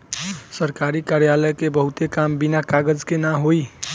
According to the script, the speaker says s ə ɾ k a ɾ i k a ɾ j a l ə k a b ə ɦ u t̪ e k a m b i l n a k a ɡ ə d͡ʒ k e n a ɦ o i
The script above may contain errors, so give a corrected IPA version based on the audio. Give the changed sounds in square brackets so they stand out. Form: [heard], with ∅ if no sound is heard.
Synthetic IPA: s ə ɾ k a ɾ i k a ɾ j a l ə k [e] b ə ɦ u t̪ e k a m b i [∅] n a k a ɡ ə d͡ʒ k e n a ɦ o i

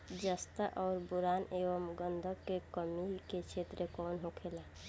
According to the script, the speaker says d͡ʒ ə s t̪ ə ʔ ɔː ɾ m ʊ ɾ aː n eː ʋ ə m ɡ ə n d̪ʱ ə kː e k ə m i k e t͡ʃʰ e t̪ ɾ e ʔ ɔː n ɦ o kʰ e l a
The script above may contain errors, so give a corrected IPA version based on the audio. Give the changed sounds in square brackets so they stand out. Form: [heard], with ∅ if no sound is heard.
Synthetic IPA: d͡ʒ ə s t̪ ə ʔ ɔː ɾ [b] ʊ ɾ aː n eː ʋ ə m ɡ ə n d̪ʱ ə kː e k ə m i k e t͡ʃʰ e t̪ ɾ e [k] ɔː n ɦ o kʰ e l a

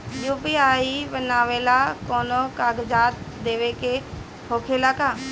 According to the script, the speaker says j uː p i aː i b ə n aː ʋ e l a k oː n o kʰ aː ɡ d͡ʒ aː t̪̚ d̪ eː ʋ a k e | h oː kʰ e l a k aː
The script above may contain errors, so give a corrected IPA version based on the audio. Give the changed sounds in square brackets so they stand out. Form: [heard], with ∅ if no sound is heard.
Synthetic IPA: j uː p i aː i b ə n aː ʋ e l a k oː n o [k] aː ɡ d͡ʒ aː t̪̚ d̪ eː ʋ [e] k e | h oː kʰ e l a k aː

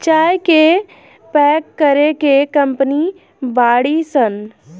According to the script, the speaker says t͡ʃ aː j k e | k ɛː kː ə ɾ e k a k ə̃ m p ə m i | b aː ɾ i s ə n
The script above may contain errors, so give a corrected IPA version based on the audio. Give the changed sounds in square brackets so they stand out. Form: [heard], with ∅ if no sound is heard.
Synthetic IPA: t͡ʃ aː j k e | [p] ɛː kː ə ɾ e k [e] k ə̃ m p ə [n] i | b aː [ɽ] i s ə n

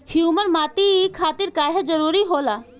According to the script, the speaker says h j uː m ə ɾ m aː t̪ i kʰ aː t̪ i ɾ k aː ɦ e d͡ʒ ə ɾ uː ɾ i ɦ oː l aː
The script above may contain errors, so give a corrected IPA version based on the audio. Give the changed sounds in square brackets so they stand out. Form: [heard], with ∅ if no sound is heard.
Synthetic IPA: h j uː m ə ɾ m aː t̪ i kʰ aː t̪ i ɾ k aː ɦ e d͡ʒ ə ɾ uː ɾ i ɦ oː l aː

